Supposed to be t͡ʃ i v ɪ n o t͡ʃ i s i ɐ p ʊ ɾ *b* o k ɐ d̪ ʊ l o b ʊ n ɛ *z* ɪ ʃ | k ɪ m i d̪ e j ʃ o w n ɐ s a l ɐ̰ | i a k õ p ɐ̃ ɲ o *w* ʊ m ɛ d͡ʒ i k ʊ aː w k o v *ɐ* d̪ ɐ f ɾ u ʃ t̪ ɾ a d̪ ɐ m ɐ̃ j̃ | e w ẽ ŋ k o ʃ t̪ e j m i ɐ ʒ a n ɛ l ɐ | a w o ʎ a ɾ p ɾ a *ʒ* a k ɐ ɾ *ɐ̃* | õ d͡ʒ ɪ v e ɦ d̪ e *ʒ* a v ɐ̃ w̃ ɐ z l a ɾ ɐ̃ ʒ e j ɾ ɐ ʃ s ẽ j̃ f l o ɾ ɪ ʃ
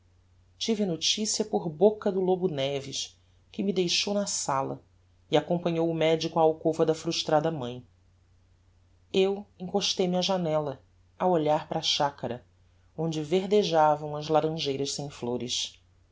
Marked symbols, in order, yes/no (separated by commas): yes, no, yes, yes, no, no, yes